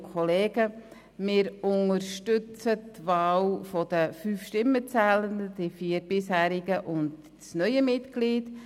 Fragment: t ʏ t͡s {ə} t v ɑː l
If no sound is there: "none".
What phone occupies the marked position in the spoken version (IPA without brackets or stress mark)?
ə